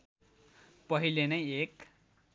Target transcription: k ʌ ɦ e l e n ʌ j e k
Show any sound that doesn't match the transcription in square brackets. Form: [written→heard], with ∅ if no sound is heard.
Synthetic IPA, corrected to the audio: [k→p] ʌ ɦ [e→i] l e n ʌ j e k

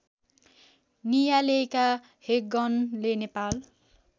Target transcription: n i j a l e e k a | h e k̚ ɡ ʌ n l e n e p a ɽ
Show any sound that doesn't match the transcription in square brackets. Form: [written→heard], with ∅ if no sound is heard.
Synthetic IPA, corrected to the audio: n i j a l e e k a | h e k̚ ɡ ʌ n l e n e p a [ɽ→l]

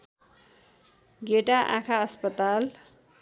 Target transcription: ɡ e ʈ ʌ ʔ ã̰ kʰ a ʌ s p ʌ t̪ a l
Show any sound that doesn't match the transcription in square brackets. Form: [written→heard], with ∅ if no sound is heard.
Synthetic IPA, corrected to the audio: ɡ e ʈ [ʌ→a] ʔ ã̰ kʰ a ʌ s p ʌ t̪ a l

